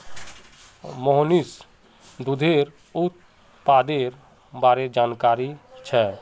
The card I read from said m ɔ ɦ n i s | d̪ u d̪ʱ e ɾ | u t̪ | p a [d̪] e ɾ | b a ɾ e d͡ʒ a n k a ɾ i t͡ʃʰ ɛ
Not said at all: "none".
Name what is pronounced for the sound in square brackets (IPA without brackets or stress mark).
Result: d̪